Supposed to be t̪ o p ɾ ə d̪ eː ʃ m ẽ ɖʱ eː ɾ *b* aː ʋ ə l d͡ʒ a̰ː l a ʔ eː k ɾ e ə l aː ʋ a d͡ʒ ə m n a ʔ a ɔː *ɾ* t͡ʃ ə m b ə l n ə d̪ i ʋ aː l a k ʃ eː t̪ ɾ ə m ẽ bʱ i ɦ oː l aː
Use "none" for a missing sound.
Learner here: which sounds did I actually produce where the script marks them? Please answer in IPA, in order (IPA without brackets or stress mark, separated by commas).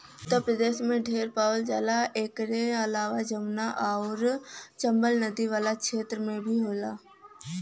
p, ɾ